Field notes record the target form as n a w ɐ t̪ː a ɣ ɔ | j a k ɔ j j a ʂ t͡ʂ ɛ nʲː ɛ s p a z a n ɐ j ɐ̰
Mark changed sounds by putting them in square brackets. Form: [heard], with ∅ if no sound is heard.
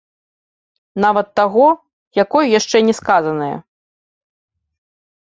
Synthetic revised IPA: n a [v] ɐ t̪ː a ɣ ɔ | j a k ɔ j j a ʂ t͡ʂ ɛ [nʲ] ɛ s [k] a z [ɐ] n ɐ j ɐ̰